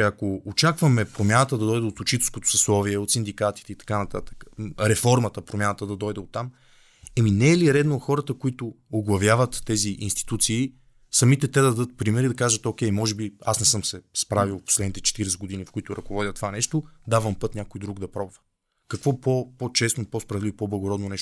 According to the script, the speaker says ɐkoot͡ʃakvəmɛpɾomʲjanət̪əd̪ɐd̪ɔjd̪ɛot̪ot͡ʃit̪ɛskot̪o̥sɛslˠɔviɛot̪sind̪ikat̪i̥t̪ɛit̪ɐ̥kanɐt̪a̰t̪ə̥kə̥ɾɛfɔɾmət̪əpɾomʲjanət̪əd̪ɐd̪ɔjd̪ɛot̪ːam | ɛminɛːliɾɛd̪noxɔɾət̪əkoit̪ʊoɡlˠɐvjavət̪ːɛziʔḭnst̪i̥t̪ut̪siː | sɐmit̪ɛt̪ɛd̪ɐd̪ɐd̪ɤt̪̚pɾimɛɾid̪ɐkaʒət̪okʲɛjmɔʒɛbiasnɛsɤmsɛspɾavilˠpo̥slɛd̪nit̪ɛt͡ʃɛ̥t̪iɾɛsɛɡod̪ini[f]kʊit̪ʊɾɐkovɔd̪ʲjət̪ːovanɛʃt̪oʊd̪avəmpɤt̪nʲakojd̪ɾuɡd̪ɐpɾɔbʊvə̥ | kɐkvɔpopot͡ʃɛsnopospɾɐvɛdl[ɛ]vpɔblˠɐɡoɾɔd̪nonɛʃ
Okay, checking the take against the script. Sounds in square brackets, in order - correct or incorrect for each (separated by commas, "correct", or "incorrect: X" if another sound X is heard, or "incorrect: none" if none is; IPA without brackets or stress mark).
correct, incorrect: i